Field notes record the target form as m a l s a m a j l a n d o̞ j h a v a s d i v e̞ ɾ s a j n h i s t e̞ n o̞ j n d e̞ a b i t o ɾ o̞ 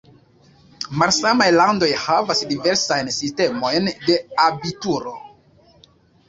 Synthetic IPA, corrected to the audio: m a l s a m a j l a n d o̞ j h a v a s d i v e̞ ɾ s a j n s i s t e̞ m o̞ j n d e̞ a b i t u ɾ o̞